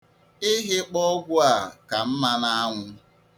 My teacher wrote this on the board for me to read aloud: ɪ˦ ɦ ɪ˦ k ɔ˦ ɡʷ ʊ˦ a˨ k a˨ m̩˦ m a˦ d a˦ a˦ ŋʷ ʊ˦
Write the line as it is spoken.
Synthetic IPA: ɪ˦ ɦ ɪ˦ k͡p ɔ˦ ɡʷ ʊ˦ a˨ k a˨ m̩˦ m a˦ n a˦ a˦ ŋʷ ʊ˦